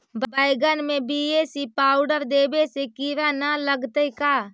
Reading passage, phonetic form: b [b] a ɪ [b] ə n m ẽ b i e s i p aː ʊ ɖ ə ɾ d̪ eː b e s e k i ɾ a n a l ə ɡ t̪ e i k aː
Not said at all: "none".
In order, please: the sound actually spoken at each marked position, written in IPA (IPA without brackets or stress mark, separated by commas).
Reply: b, ɡ